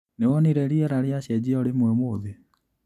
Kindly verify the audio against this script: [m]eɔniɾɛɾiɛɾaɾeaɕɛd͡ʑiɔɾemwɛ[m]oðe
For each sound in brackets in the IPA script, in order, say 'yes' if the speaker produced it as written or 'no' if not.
no, yes

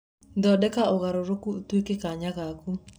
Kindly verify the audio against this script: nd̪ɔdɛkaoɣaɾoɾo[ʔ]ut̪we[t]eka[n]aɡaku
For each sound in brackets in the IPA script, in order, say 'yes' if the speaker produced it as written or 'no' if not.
no, no, no

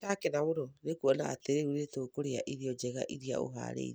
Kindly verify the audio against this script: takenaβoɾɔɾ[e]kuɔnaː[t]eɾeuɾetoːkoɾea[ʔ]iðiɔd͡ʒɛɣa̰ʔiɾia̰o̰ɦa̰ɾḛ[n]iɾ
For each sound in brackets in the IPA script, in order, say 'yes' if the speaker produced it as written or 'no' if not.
yes, yes, yes, no

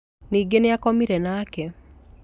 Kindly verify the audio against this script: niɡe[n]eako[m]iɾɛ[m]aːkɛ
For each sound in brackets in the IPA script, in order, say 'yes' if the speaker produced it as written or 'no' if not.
yes, yes, no

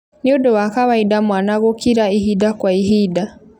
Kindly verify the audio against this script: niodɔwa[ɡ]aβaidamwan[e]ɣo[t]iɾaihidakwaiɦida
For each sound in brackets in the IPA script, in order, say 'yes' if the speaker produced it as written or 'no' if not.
no, no, no

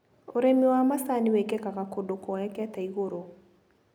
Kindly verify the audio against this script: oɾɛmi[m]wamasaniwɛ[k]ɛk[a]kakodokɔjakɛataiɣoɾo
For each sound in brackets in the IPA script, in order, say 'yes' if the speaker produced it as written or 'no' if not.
no, yes, yes

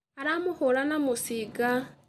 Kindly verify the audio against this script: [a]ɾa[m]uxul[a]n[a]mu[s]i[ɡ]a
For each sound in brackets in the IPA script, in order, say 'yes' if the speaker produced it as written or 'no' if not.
yes, yes, yes, yes, yes, yes

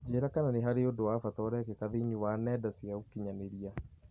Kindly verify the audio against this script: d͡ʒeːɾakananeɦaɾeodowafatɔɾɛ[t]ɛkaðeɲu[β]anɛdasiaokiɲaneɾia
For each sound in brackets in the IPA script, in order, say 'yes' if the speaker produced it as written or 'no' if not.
no, no

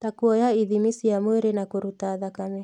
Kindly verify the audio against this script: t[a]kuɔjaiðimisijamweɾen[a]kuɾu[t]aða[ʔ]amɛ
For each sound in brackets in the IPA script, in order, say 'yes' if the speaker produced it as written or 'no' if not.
yes, yes, yes, no

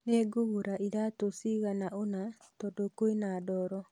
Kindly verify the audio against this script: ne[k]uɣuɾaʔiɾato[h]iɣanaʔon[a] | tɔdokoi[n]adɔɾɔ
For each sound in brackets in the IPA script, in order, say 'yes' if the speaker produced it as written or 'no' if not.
no, no, yes, yes

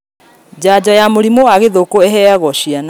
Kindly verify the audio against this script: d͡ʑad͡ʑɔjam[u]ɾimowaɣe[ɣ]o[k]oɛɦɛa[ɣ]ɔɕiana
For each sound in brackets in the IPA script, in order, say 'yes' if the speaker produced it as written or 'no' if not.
no, no, yes, yes

